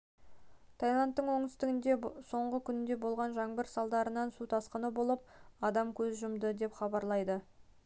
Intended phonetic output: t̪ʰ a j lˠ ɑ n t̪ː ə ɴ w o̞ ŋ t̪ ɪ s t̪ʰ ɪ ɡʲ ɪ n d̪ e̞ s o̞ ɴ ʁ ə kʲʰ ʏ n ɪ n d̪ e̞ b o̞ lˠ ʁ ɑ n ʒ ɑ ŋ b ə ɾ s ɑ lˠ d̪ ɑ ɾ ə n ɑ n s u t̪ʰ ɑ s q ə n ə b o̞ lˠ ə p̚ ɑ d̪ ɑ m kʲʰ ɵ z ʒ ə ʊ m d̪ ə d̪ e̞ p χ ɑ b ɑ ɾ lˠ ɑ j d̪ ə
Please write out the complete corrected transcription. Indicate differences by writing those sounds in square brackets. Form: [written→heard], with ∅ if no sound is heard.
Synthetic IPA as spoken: t̪ʰ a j lˠ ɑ n t̪ː ə ɴ w o̞ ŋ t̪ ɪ s [t̪ʰ→t̪] ɪ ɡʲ ɪ n d̪ e̞ s o̞ ɴ ʁ ə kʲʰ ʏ n ɪ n d̪ e̞ b o̞ lˠ ʁ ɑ n ʒ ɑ ŋ b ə ɾ s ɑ lˠ d̪ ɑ ɾ ə n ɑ n s u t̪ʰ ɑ s q ə n ə b o̞ lˠ ə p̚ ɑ d̪ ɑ m kʲʰ ɵ z ʒ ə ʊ m d̪ ə d̪ e̞ p χ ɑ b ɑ ɾ lˠ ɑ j d̪ ə